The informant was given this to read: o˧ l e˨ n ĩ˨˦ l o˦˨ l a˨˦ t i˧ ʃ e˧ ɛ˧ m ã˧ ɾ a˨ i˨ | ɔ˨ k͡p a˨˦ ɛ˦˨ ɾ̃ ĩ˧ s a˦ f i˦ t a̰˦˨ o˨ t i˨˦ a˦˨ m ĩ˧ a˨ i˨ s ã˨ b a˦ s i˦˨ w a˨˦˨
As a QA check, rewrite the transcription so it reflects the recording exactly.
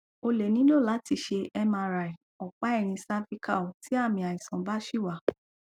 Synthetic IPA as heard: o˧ l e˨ n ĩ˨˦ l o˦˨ l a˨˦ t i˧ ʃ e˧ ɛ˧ m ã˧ ɾ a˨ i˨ | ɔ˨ k͡p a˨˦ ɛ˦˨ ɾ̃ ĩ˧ s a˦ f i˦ k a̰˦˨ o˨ t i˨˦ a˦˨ m ĩ˧ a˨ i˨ s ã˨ b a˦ ʃ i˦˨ w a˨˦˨